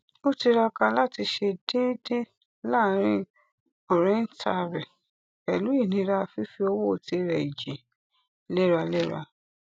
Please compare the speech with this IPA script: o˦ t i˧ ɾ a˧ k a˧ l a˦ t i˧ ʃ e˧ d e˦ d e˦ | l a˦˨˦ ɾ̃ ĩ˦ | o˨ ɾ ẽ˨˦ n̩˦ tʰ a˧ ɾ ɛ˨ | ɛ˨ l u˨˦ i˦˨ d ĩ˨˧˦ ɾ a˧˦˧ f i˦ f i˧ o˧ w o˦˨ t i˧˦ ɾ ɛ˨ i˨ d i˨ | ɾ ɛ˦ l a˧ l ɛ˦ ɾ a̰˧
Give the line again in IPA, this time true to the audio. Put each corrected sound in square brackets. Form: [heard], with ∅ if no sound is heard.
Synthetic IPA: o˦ t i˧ ɾ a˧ k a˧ l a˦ t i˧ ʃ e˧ d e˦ d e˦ | l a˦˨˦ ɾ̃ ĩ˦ | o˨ ɾ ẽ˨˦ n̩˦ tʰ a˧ ɾ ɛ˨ | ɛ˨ l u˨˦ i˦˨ [n] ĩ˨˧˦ ɾ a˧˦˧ f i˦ f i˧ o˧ w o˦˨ t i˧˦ ɾ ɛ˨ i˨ [d͡ʒ] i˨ | [l] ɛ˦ [ɾ] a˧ l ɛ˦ ɾ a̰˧